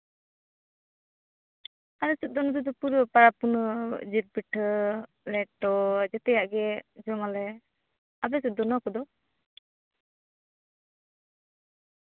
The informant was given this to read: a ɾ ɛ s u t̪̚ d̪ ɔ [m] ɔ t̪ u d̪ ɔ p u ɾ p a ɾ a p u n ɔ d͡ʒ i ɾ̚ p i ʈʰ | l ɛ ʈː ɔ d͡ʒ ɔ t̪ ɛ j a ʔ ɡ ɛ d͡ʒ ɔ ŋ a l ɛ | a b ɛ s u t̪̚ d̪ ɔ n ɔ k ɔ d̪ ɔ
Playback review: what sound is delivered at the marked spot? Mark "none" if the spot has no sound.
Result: n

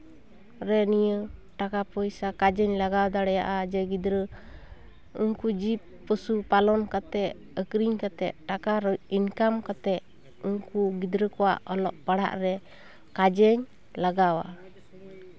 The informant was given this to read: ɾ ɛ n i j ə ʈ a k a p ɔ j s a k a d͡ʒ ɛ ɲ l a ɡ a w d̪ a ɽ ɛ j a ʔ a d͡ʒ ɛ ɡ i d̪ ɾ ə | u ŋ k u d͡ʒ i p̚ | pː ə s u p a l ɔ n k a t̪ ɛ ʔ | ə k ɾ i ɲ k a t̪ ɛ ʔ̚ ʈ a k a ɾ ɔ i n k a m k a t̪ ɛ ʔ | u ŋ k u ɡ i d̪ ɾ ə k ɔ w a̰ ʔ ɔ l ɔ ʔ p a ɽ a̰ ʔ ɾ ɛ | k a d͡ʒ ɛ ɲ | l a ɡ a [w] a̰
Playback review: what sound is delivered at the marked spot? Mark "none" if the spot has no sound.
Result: w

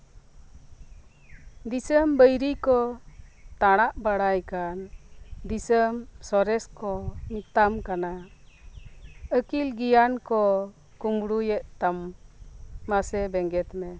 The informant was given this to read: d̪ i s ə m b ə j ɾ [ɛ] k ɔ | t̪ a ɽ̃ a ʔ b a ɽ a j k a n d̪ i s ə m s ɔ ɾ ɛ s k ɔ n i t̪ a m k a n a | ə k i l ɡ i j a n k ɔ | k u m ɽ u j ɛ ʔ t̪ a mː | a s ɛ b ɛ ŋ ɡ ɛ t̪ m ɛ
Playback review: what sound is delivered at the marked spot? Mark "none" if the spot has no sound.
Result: i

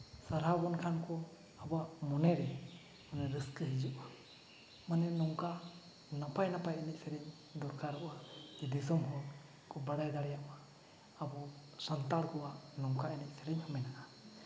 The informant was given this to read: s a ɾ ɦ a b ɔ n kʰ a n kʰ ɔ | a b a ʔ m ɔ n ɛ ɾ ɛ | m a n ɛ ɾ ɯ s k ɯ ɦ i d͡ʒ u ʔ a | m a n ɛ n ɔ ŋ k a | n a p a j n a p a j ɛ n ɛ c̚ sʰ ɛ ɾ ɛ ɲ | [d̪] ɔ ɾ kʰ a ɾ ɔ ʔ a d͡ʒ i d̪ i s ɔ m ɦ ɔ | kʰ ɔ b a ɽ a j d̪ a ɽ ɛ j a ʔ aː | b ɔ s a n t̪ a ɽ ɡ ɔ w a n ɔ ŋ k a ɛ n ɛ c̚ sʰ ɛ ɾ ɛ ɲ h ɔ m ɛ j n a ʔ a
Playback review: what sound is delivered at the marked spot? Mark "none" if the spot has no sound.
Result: d̪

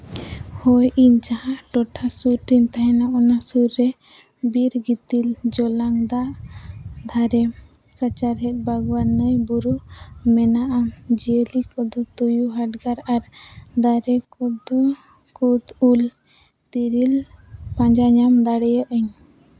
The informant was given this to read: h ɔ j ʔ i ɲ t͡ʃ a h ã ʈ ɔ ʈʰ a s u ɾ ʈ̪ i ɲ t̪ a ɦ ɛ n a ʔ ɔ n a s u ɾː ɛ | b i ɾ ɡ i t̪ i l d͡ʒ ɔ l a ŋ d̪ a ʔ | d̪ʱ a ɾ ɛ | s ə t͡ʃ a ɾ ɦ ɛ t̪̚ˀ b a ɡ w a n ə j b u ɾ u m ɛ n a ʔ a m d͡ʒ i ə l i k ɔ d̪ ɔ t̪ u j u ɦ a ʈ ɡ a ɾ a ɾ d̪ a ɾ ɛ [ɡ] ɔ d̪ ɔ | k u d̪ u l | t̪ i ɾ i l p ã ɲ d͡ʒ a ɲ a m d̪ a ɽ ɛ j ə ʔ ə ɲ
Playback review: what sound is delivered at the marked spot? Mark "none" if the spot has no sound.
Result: k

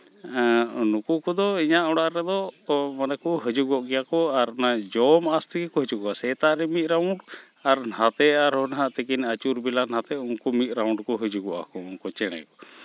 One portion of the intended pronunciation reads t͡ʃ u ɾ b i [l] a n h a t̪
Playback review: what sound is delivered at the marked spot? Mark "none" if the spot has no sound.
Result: l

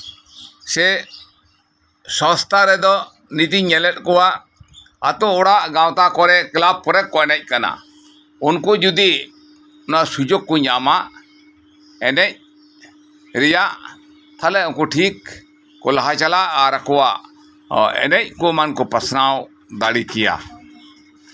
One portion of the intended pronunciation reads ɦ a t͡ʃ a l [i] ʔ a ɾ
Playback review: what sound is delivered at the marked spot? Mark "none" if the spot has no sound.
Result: a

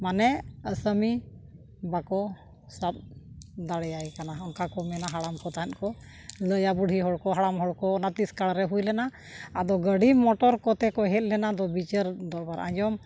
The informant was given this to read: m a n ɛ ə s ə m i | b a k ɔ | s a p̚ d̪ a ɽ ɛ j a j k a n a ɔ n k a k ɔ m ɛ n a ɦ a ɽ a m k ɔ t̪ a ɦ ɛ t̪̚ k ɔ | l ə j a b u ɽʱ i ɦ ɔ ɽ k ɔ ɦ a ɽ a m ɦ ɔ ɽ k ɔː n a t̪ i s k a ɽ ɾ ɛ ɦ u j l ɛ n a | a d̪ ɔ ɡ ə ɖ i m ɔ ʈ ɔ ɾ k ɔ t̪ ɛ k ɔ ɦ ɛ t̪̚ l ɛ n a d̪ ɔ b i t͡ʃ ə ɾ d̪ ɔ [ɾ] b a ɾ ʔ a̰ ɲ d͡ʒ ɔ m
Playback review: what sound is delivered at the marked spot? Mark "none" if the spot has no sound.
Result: ɾ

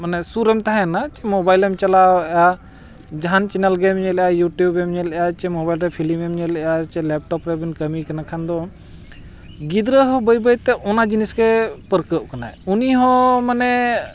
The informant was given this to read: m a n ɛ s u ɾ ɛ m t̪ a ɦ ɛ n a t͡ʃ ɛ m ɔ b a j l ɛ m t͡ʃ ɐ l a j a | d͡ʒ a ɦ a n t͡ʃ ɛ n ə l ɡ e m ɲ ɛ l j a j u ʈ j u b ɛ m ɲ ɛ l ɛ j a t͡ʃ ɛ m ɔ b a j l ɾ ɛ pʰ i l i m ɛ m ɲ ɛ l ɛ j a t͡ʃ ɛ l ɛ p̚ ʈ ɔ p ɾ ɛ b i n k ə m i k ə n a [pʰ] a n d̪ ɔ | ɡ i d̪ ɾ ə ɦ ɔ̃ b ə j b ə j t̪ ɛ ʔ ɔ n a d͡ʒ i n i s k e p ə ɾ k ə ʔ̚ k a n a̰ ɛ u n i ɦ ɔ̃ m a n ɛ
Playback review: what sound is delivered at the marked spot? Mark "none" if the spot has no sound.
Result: kʰ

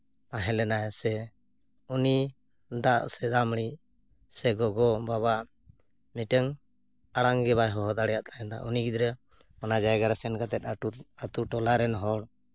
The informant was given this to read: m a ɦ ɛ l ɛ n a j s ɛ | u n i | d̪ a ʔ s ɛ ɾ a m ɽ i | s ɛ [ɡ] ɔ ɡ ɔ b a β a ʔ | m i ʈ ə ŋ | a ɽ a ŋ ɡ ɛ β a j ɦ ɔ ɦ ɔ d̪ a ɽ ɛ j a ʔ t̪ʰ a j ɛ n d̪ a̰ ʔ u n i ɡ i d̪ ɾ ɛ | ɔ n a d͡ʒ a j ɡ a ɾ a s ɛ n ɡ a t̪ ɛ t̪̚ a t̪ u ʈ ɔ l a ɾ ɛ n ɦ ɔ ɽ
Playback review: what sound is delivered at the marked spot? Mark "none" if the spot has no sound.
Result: ɡ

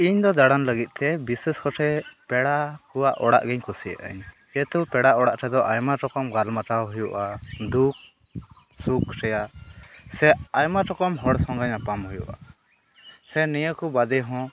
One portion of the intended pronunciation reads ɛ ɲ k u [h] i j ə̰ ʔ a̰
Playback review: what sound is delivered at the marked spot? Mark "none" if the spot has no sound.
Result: s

